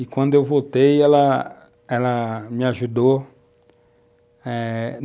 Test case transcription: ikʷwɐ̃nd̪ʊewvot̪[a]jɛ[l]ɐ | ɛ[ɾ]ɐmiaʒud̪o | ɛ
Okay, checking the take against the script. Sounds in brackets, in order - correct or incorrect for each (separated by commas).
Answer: incorrect, correct, incorrect